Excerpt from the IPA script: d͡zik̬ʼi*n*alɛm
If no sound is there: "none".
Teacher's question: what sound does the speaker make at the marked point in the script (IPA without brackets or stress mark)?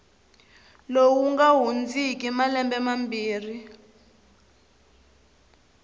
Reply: m